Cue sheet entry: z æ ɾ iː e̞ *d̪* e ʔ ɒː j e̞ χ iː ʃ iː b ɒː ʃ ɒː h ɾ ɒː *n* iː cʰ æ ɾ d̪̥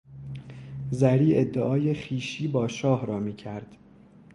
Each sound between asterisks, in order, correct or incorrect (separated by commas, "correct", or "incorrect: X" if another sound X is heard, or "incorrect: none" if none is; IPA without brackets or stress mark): incorrect: d̪ː, incorrect: m